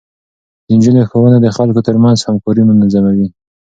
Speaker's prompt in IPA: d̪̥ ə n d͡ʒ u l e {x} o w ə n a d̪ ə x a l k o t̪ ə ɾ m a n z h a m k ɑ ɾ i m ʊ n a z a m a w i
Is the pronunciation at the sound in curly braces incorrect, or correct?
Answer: correct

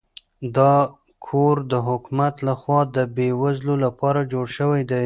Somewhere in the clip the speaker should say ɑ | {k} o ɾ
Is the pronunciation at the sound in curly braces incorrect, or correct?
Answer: incorrect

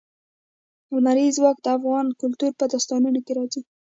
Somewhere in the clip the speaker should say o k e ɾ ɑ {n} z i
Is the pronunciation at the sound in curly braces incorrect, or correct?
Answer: incorrect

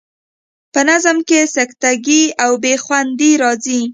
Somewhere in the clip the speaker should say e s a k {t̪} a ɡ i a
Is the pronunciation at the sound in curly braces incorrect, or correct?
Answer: correct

